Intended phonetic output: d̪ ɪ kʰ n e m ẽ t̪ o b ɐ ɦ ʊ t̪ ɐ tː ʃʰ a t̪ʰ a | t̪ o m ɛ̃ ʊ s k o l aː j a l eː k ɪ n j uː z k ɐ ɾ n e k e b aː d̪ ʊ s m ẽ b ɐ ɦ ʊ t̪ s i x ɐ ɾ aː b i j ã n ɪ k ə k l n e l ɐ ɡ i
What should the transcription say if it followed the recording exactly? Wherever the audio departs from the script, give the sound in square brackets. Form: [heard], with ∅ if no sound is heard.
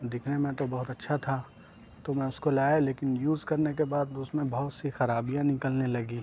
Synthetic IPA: d̪ ɪ kʰ n e m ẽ t̪ o b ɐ ɦ ʊ t̪ ɐ tː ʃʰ a t̪ʰ a | t̪ o m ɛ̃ ʊ s k o l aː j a l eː k ɪ n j uː z k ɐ ɾ n e k e b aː d̪ ʊ s m ẽ b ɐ ɦ ʊ t̪ s i x ɐ ɾ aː b i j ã n ɪ k ə [∅] l n e l ɐ ɡ i

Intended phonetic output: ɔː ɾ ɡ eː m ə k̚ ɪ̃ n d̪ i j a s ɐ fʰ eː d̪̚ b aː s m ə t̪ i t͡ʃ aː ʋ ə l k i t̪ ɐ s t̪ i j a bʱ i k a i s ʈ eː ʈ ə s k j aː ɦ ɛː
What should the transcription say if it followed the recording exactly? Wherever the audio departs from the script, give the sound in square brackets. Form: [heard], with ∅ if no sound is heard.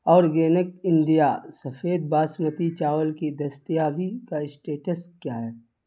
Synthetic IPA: ɔː ɾ ɡ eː [n] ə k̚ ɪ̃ n d̪ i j a s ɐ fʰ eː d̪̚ b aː s m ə t̪ i t͡ʃ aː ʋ ə l k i [d̪] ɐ s t̪ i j a bʱ i k a [ɪ] s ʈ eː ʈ ə s k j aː ɦ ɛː

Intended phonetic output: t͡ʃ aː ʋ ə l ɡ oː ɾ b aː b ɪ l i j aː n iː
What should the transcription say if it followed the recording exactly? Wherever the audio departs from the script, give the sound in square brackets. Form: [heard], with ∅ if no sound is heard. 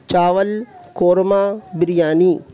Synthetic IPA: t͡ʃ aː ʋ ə l [k] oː ɾ [m] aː b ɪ [ɾ] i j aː n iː

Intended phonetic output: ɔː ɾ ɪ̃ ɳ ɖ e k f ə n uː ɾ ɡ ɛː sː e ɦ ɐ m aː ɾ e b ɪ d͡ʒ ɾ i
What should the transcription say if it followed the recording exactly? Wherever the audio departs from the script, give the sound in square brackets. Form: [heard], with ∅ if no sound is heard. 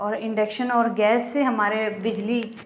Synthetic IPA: ɔː ɾ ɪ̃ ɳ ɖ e k [ʃ] ə n [ɔː] ɾ ɡ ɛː sː e ɦ ɐ m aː ɾ e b ɪ d͡ʒ [l] i

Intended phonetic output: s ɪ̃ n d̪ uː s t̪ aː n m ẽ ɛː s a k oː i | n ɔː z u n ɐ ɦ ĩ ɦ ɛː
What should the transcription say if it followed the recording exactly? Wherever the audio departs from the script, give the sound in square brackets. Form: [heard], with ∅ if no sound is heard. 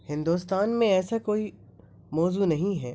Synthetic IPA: [h] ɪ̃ n d̪ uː s t̪ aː n m ẽ ɛː s a k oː i | [m] ɔː z u n ɐ ɦ ĩ ɦ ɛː

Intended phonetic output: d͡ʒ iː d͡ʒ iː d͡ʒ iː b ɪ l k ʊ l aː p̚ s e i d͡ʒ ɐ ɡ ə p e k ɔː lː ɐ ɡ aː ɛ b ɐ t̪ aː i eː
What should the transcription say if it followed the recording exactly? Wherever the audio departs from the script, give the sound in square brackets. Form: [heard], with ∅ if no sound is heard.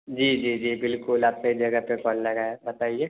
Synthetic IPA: d͡ʒ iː d͡ʒ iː d͡ʒ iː b ɪ l k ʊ l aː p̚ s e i d͡ʒ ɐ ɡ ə p e k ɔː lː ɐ ɡ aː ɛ b ɐ t̪ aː i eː

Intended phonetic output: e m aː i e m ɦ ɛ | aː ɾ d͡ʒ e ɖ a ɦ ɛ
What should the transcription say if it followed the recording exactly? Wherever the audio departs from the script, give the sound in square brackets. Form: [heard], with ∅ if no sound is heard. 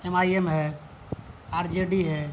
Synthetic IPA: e m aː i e m ɦ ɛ | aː ɾ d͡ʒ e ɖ [i] ɦ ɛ

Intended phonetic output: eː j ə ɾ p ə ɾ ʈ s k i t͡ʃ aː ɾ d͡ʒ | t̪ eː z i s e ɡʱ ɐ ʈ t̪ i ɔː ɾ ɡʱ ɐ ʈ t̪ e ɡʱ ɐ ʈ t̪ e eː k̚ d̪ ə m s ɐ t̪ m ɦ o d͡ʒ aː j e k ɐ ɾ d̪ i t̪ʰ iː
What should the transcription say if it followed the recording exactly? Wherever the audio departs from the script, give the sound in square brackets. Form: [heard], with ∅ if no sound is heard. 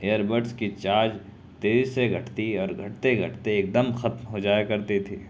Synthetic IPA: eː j ə ɾ [b] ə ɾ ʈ s k i t͡ʃ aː ɾ d͡ʒ | t̪ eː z i s e ɡʱ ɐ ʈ t̪ i ɔː ɾ ɡʱ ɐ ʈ t̪ e ɡʱ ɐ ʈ t̪ e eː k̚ d̪ ə m [x] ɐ t̪ m ɦ o d͡ʒ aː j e k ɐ ɾ [t̪] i t̪ʰ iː

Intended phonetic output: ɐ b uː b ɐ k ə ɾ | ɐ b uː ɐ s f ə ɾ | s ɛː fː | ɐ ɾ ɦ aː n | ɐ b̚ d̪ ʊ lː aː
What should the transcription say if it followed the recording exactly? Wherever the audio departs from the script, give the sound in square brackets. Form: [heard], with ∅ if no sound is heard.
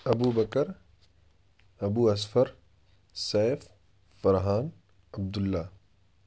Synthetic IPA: ɐ b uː b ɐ k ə ɾ | ɐ b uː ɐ s f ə ɾ | s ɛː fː | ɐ ɾ ɦ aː n | ɐ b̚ d̪ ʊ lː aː

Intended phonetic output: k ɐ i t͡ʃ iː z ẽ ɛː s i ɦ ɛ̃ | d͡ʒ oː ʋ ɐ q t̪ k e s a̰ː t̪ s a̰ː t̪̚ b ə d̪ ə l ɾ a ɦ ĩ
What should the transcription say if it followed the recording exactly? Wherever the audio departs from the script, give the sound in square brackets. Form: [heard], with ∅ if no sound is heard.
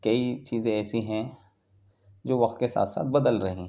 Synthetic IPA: k ɐ i t͡ʃ iː z ẽ ɛː s i ɦ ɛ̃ | d͡ʒ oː ʋ ɐ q t̪ k e s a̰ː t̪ s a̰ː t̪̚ b [ɐ] d̪ ə l ɾ [ɐ] ɦ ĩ

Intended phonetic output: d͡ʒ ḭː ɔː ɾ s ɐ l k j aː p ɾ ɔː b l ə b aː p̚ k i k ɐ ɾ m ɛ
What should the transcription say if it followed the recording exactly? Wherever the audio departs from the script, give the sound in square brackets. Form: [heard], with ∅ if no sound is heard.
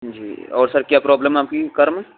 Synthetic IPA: d͡ʒ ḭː ɔː ɾ s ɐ [ɾ] k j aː p ɾ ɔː b l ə [m] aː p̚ k i k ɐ ɾ m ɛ

